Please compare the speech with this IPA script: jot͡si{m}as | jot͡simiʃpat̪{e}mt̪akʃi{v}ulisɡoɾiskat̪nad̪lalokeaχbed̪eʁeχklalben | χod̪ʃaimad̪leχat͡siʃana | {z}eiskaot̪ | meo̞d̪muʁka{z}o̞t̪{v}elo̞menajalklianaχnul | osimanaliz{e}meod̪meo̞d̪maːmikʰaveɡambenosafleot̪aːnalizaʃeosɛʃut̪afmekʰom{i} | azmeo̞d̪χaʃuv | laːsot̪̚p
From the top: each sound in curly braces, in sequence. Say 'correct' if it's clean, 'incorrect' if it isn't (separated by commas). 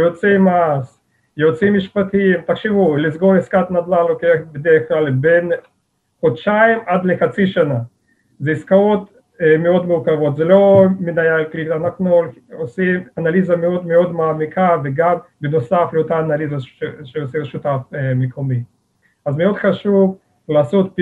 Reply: correct, incorrect, correct, correct, incorrect, incorrect, incorrect, correct